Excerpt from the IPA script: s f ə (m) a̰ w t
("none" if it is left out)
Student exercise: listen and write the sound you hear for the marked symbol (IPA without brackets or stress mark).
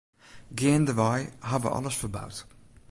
b